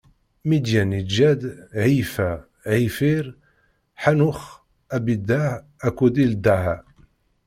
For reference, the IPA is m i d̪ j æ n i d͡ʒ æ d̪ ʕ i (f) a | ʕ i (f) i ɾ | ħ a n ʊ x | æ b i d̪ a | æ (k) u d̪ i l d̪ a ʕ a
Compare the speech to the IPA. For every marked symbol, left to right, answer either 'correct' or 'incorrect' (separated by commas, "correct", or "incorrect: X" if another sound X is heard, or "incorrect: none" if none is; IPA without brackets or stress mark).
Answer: correct, correct, correct